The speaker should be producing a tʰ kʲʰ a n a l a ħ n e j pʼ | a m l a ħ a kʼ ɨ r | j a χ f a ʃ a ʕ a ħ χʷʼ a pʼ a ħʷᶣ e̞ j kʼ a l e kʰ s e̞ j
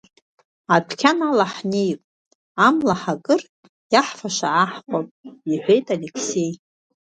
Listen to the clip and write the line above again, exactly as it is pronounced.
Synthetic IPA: a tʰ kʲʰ a n a l a ħ n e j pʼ | a m l a ħ a kʼ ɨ r | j a ħ f a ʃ a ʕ a ħ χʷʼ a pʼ i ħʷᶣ e̞ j tʼ a l e kʰ s e̞ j